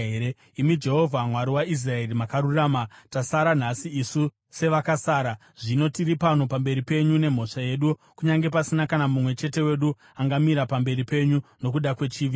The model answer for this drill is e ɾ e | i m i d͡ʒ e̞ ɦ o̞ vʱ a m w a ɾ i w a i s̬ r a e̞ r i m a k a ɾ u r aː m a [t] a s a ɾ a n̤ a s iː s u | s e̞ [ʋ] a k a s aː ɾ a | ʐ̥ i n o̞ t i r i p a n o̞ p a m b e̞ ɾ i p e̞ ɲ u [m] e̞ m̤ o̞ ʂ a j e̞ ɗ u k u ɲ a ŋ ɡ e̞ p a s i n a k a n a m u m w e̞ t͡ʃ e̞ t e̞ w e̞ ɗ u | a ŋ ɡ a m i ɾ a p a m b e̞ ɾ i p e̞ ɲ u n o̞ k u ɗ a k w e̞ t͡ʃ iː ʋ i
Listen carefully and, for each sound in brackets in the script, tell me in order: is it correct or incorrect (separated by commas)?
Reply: correct, correct, incorrect